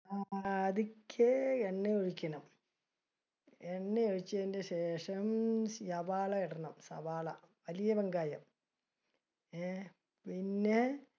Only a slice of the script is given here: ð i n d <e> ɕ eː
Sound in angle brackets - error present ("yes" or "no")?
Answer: no